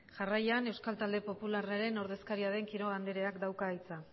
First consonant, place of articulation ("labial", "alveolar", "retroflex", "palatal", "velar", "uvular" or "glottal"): palatal